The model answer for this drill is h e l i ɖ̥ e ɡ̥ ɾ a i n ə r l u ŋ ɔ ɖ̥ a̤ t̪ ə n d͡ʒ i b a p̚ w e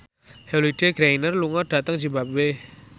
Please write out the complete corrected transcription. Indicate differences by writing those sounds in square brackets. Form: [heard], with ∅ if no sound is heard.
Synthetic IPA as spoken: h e l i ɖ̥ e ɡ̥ ɾ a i n ə r l u ŋ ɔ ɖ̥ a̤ t̪ ə [ŋ] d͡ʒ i b a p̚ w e